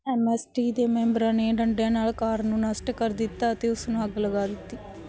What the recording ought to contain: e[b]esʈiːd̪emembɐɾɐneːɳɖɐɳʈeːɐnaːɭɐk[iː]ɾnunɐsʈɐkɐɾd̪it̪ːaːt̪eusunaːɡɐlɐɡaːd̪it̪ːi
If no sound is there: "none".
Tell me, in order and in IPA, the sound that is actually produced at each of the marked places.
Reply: m, aː

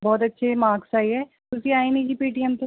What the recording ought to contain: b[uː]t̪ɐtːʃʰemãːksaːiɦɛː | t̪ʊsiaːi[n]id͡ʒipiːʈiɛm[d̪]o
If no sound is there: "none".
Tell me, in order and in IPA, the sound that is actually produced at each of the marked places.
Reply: ɔː, n, t̪

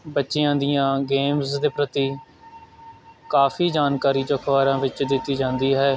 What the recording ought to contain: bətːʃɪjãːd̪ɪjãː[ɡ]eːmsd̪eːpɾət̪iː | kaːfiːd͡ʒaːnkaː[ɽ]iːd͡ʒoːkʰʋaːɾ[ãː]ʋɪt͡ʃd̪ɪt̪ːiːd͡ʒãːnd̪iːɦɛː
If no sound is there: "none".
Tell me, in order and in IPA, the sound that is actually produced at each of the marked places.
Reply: ɡ, ɾ, ãː

